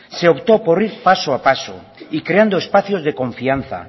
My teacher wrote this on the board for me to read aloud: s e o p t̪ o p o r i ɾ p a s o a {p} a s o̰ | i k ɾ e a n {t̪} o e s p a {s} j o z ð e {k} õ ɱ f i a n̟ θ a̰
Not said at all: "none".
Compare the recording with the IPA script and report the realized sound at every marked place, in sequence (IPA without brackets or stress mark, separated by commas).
p, d̪, θ, k